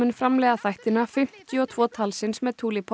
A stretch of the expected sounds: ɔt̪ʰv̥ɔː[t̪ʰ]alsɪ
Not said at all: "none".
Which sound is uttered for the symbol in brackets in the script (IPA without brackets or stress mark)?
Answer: t̪ʰ